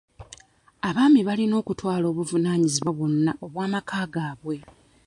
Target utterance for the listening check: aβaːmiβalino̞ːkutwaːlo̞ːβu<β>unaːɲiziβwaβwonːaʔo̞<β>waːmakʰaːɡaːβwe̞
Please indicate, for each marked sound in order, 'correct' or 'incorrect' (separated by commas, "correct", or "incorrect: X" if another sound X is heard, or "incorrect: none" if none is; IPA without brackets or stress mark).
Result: incorrect: v, correct